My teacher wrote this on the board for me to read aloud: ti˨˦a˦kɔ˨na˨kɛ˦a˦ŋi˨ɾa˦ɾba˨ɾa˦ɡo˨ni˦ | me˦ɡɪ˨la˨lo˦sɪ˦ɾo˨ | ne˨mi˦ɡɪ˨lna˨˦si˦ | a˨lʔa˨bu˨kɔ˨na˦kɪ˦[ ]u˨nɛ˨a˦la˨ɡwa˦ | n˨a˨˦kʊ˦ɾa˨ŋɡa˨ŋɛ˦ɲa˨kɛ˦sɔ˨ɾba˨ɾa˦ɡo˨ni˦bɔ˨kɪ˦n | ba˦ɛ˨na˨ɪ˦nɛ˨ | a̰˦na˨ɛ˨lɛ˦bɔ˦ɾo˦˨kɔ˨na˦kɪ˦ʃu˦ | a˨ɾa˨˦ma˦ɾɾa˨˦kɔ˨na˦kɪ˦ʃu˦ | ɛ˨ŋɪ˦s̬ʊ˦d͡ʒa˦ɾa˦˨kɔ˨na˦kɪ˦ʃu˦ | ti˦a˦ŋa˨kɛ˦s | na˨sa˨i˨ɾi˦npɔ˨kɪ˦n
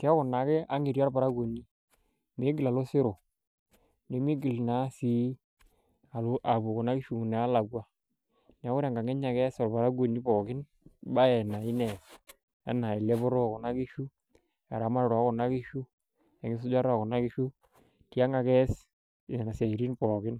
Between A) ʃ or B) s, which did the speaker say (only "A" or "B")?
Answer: A